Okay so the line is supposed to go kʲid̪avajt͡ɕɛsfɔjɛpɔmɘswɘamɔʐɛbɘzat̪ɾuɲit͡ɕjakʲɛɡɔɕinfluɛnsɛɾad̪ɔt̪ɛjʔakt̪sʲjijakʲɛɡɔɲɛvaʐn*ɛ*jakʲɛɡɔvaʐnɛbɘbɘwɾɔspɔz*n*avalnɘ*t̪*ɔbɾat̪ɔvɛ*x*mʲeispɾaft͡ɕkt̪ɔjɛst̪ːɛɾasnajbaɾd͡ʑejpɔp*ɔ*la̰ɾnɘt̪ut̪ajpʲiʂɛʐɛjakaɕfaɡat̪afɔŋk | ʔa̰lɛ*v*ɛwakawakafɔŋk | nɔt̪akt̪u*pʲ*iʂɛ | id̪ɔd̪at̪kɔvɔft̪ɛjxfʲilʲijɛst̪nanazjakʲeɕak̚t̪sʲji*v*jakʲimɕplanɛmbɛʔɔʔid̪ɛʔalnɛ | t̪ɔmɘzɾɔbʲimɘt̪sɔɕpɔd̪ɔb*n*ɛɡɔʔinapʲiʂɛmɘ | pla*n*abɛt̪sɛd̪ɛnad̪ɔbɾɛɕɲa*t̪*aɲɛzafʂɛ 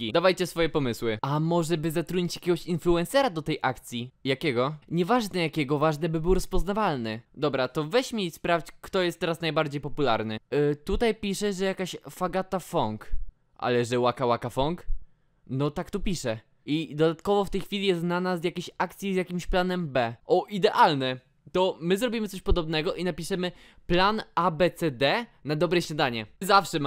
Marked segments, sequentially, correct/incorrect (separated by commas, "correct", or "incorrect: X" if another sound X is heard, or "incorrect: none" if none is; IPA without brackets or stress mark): correct, correct, incorrect: d̪, incorrect: ɕ, incorrect: u, incorrect: ʐ, correct, incorrect: z, correct, correct, incorrect: d̪